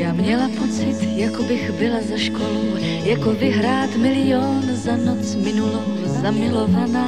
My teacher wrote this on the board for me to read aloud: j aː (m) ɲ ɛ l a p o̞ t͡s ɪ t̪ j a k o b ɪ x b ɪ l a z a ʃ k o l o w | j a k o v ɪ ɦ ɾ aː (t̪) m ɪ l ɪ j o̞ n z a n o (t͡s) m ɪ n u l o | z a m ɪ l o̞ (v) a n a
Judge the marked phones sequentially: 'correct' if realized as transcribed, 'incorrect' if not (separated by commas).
correct, correct, correct, correct